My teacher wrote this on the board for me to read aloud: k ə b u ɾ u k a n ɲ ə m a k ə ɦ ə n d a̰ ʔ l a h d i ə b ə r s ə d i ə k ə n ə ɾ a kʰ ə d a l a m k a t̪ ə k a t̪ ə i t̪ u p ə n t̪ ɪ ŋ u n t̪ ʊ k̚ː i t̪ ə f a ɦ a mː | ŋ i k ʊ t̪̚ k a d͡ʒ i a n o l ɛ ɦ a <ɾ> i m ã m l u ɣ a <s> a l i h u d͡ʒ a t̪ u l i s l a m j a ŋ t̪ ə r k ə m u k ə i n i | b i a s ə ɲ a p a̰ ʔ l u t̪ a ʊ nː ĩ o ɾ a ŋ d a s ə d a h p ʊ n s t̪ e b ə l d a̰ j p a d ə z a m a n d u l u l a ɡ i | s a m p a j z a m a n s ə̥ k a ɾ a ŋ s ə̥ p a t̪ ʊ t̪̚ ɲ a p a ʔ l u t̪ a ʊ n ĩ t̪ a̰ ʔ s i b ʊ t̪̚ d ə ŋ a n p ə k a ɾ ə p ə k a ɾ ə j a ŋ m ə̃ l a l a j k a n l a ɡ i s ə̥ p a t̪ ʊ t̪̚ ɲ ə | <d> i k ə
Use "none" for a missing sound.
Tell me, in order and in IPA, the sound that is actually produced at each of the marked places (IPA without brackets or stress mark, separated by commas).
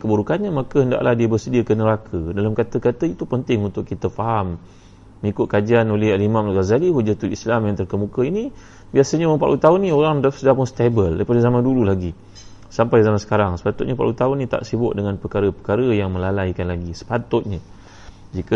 l, z, d͡ʒ